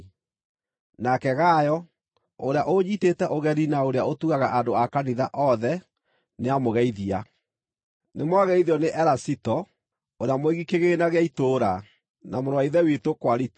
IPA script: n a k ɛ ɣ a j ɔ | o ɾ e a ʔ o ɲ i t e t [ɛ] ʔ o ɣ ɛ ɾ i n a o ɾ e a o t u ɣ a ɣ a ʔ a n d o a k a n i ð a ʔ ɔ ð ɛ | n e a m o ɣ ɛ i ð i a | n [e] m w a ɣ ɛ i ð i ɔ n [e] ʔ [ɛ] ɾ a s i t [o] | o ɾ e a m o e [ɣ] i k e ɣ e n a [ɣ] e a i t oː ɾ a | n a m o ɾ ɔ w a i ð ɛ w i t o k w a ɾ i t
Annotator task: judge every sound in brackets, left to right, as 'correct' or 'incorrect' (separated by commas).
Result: correct, correct, correct, correct, incorrect, correct, correct